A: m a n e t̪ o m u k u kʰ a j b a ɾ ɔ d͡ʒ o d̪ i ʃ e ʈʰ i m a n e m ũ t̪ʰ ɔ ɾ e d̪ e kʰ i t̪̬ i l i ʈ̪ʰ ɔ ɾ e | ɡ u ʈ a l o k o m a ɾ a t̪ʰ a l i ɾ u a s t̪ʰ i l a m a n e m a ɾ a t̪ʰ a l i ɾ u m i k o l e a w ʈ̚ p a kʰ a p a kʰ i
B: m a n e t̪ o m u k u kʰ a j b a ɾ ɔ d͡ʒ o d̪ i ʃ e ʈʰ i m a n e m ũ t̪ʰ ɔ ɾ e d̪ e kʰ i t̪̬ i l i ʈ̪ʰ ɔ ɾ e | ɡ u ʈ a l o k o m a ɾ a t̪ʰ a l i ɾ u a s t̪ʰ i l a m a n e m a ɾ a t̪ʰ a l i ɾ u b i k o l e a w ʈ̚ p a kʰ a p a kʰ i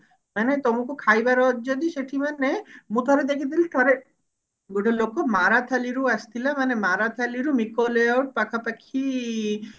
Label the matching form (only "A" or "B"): A